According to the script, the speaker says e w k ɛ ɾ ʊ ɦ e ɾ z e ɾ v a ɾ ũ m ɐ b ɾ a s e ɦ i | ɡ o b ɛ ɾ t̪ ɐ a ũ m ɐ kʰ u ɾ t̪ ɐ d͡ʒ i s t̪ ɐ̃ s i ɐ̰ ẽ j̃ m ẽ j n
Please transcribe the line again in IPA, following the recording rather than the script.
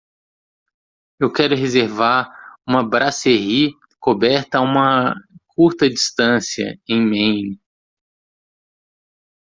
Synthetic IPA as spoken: e w k ɛ ɾ ʊ ɦ e z e ɾ v a ɾ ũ m ɐ b ɾ a s e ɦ i | k o b ɛ ɾ t̪ ɐ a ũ m ɐ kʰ u ɾ t̪ ɐ d͡ʒ i s t̪ ɐ̃ s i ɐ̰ ẽ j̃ m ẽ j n